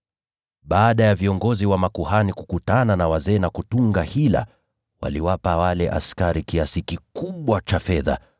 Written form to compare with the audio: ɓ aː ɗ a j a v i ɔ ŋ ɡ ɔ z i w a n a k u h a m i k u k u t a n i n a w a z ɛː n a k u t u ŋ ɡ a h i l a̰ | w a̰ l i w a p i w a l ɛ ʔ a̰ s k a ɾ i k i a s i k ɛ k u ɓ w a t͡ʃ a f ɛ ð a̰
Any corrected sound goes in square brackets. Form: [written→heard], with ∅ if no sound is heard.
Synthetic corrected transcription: ɓ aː ɗ a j a v i ɔ ŋ ɡ ɔ z i w a [n→m] a k u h a [m→n] i k u k u t a n [i→a] n a w a z ɛː n a k u t u ŋ ɡ a h i l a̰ | w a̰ l i w a p [i→a] w a l ɛ ʔ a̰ s k a ɾ i k i a s i k [ɛ→i] k u ɓ w a t͡ʃ a f ɛ ð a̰